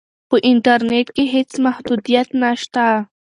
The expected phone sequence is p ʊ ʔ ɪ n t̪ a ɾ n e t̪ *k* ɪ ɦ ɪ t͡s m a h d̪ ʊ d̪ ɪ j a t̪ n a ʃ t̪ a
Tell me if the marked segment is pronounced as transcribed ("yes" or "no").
yes